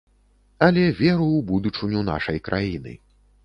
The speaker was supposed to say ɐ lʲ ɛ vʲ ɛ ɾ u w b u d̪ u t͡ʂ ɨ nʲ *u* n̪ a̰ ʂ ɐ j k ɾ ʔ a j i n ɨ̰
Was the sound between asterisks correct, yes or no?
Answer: yes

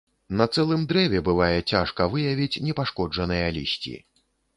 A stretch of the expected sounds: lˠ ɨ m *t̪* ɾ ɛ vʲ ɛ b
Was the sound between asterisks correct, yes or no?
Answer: no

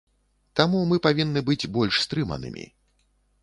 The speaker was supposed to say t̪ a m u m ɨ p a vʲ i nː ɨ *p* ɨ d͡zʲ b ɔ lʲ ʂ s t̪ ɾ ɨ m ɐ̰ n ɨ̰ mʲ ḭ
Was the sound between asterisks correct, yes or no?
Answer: no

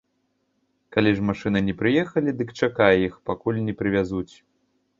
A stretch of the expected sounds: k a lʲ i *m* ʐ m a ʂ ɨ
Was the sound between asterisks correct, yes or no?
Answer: no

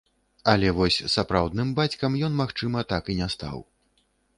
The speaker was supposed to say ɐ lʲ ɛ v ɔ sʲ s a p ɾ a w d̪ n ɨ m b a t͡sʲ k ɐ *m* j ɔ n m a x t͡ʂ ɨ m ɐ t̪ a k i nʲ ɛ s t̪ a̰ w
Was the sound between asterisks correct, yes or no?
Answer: yes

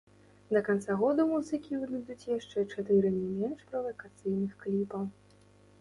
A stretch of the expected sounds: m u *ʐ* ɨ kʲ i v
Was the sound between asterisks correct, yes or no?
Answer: no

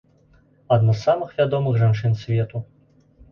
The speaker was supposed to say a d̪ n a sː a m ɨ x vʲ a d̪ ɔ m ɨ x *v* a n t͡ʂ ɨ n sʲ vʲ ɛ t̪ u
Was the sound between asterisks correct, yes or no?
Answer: no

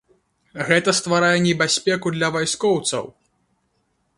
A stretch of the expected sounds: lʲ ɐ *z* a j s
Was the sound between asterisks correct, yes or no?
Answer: no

